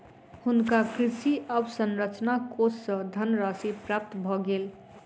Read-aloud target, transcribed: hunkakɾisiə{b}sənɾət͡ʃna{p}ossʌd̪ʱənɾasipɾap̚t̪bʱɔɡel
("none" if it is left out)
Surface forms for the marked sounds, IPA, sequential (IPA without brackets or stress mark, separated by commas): b, k